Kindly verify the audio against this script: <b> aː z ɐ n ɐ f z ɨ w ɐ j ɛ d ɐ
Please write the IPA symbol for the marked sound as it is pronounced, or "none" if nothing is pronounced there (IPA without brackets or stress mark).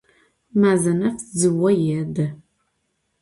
m